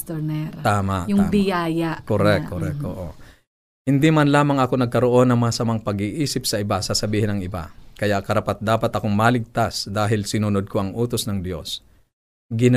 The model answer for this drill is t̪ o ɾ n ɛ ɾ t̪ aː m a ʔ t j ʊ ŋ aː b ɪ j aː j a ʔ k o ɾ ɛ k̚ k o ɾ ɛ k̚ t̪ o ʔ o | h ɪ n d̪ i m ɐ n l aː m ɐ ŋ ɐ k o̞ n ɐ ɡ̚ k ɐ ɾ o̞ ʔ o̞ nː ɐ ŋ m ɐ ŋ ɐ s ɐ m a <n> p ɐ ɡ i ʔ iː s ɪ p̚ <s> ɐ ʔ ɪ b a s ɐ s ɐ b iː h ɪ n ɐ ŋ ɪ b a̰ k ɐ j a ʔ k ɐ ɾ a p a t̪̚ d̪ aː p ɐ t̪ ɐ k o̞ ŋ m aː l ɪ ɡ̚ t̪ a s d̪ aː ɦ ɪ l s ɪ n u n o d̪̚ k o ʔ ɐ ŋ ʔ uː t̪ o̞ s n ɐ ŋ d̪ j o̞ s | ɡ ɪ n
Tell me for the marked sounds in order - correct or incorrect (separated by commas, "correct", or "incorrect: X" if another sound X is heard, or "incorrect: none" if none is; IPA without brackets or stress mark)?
incorrect: ŋ, correct